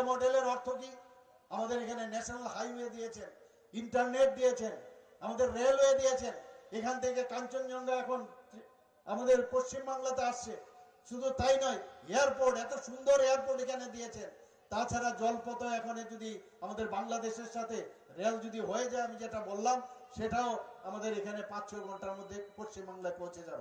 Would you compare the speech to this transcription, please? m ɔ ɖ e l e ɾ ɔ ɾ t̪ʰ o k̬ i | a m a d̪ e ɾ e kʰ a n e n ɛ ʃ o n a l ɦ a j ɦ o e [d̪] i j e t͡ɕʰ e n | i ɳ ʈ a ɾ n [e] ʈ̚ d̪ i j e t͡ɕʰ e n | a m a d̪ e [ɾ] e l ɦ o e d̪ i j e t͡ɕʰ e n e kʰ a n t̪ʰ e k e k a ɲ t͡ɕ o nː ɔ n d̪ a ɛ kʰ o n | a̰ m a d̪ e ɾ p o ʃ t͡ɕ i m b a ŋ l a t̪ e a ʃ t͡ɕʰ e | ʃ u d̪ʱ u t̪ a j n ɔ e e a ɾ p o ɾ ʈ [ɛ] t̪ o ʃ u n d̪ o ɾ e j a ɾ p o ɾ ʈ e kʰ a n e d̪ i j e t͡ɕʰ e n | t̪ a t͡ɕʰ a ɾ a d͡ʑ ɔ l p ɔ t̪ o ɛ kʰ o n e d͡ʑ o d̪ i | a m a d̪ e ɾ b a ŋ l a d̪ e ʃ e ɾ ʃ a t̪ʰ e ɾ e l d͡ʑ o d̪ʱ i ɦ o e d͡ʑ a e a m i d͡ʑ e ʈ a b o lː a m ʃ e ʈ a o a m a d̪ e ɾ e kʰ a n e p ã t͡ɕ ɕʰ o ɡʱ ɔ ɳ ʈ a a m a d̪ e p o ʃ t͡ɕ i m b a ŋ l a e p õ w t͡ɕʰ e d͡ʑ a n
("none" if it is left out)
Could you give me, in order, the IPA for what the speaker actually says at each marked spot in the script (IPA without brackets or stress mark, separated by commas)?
d̪, e, ɾː, ɛ